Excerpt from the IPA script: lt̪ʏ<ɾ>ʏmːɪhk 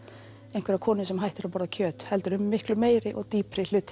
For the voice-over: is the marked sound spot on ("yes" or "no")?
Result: yes